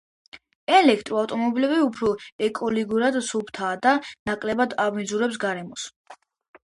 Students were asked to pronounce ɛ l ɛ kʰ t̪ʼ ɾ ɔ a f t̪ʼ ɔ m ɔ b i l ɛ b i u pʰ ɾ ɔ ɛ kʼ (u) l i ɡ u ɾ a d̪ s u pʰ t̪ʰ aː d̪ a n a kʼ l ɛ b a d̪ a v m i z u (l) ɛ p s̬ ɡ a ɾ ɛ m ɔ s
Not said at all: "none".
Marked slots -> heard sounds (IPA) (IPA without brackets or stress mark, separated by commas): ɔ, ɾ